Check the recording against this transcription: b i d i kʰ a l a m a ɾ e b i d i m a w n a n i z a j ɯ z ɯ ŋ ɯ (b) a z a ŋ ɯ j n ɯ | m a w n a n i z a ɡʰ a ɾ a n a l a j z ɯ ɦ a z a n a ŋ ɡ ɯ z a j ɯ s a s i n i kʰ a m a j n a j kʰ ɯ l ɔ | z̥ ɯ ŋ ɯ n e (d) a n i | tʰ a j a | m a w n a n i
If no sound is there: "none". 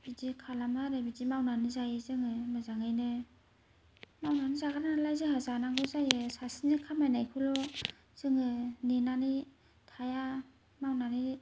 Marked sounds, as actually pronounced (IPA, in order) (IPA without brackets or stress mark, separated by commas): m, n